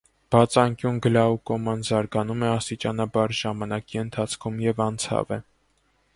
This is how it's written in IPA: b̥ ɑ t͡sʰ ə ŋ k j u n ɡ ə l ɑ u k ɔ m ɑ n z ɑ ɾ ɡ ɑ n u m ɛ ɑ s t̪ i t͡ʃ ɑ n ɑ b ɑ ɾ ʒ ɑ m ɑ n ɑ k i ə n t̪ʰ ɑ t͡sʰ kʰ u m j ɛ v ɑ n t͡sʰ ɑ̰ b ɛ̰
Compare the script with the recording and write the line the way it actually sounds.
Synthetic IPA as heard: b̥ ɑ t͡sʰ ɑ ŋ k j u n ɡ ə l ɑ u k ɔ m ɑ n z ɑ ɾ ɡ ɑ n u m ɛ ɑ s t̪ i t͡ʃ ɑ n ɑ b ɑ ɾ ʒ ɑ m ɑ n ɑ k i ə n t̪ʰ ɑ t͡sʰ kʰ u m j ɛ v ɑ n t͡sʰ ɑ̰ v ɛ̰

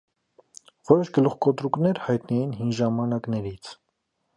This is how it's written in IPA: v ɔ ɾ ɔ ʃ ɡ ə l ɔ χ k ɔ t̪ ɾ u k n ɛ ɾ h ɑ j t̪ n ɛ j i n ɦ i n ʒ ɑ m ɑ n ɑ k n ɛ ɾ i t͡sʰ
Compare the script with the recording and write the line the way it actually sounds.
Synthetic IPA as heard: v ɔ ɾ ɔ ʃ ɡ ə l u χ k ɔ t̪ ɾ u k n ɛ ɾ h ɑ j t̪ n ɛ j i n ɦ i n ʒ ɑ m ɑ n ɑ k n ɛ ɾ i t͡sʰ

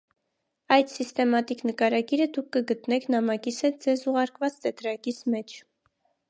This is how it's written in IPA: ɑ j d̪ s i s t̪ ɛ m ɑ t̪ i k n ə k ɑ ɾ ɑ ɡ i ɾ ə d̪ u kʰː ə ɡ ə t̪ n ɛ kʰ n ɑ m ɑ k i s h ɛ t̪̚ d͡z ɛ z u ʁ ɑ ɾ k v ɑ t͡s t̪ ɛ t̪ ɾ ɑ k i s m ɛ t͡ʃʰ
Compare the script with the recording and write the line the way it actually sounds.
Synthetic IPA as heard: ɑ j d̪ s i s t̪ ɛ m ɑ t̪ i k n ə k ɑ ɾ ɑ ɡ i ɾ ə d̪ u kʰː ə ɡ ə t̪ n ɛ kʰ n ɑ m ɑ k i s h ɛ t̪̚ d͡z ɛ z u ʁ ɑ ɾ k v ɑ t͡s t̪ ɛ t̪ ɾ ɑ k i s m ɛ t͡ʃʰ

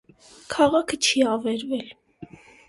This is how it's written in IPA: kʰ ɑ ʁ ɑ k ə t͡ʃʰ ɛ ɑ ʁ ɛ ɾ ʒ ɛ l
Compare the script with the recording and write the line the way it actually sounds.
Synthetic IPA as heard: kʰ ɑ ʁ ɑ kʰ ə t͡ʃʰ i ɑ v ɛ ɾ v ɛ l

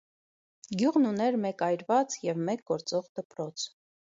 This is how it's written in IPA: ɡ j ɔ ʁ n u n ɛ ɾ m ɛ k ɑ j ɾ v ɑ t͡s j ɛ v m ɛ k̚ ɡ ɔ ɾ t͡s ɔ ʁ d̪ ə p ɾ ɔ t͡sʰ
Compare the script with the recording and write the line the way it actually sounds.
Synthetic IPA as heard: ɡ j u ʁ n u n ɛ ɾ m ɛ k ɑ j ɾ v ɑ t͡s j ɛ v m ɛ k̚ ɡ ɔ ɾ t͡s ɔ ʁ d̪ ə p ɾ ɔ t͡sʰ

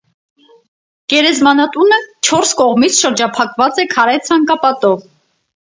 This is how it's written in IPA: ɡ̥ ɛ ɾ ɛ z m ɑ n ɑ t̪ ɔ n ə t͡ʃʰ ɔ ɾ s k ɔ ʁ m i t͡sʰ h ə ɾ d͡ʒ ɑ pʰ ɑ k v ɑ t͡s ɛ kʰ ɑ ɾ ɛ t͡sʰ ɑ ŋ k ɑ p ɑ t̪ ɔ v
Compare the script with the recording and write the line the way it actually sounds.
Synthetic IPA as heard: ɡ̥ ɛ ɾ ɛ z m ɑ n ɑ t̪ u n ə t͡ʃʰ ɔ ɾ s k ɔ ʁ m i t͡sʰ ʃ ə ɾ d͡ʒ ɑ pʰ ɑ k v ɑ t͡s ɛ kʰ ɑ ɾ ɛ t͡sʰ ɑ ŋ k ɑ p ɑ t̪ ɔ v

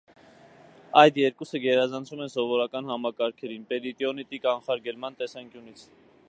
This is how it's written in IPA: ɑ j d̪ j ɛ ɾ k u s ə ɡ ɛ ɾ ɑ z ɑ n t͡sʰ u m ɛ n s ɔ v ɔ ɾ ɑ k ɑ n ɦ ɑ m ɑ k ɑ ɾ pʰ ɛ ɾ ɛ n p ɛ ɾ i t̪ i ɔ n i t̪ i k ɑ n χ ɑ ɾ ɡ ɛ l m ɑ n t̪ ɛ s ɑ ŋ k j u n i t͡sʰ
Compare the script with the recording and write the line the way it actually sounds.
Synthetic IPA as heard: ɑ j d̪ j ɛ ɾ k u s ə ɡ ɛ ɾ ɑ z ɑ n t͡sʰ u m ɛ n s ɔ v ɔ ɾ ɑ k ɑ n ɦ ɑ m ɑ k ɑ ɾ kʰ ɛ ɾ i n p ɛ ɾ i t̪ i ɔ n i t̪ i k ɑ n χ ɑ ɾ ɡ ɛ l m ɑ n t̪ ɛ s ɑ ŋ k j u n i t͡sʰ

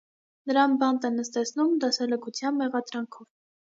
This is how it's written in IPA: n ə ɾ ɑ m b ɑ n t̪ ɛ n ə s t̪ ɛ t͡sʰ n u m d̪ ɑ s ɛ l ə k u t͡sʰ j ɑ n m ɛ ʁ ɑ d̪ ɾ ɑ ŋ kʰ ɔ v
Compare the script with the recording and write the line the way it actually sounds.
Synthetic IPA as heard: n ə ɾ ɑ n b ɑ n t̪ ɛ n ə s t̪ ɛ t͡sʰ n u m d̪ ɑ s ɛ l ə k u t͡sʰ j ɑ n m ɛ ʁ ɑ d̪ ɾ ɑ ŋ kʰ ɔ v

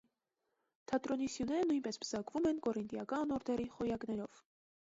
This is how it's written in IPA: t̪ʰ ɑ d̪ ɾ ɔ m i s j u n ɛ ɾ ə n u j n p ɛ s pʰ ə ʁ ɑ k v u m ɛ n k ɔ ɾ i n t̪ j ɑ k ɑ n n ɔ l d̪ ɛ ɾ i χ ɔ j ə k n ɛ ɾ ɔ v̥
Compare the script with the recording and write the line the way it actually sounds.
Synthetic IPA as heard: t̪ʰ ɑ t̪ ɾ ɔ n i s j u n ɛ ɾ ə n u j n p ɛ s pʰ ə z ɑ k v u m ɛ n k ɔ ɾ i n t̪ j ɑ k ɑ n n ɔ ɾ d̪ ɛ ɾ i χ ɔ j ɑ k n ɛ ɾ ɔ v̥

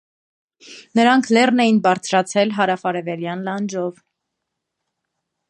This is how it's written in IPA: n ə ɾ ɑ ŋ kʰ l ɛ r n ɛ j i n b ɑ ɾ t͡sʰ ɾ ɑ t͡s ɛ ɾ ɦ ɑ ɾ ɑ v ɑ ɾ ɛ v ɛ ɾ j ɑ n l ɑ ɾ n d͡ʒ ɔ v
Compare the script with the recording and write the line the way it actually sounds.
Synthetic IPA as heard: n ə ɾ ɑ ŋ kʰ l ɛ r n ɛ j i n b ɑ ɾ t͡sʰ ɾ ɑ t͡sʰ ɛ l ɦ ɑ ɾ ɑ f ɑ ɾ ɛ v ɛ ɾ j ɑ n l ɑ n d͡ʒ ɔ v

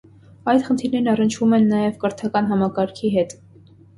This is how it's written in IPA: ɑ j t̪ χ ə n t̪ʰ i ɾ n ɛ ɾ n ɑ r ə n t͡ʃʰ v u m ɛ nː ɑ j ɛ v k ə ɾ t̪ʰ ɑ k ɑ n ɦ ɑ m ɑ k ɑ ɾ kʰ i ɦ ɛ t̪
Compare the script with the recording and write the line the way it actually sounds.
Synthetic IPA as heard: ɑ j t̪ χ ə n t̪ʰ i ɾ n ɛ ɾ n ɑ r ə n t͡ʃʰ v u m ɛ nː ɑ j ɛ v k ə ɾ t̪ʰ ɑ k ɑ n ɦ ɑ m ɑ k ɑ ɾ kʰ i ɦ ɛ t̪

